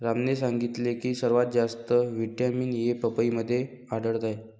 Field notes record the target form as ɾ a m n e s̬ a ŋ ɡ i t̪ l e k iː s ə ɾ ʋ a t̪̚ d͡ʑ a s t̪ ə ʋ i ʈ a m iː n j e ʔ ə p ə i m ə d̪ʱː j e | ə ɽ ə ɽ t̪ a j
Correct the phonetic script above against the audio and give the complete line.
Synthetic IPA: ɾ a m n e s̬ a ŋ ɡ i t̪ l e k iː s ə ɾ ʋ a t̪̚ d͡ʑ a s t̪ ə ʋ i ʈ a m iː n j e p ə p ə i m ə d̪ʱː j e | a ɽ ə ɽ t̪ a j

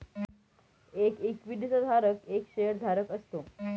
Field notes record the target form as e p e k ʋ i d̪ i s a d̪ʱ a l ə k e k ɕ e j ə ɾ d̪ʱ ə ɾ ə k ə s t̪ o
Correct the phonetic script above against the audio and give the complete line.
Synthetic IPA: e k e k ʋ i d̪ i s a d̪ʱ a ɾ ə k e k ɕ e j ə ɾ d̪ʱ a ɾ ə k ə s t̪ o

